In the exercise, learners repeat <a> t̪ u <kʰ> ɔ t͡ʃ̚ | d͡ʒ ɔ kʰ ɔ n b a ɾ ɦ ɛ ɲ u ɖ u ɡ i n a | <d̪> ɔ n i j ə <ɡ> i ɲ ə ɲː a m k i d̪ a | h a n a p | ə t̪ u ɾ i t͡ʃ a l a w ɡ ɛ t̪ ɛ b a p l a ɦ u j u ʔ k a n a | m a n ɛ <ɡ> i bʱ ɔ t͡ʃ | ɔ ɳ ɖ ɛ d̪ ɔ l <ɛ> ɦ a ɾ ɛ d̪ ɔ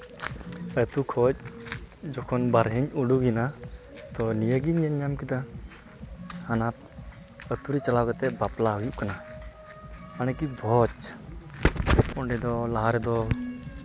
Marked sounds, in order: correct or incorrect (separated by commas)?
incorrect, correct, incorrect, correct, incorrect, incorrect